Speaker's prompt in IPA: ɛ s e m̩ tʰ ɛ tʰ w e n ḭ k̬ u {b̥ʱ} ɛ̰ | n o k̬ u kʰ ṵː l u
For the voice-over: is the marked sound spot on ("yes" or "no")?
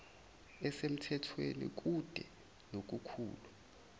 no